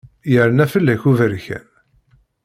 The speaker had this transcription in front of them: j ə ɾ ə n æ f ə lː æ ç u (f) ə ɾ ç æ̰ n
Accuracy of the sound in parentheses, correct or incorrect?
incorrect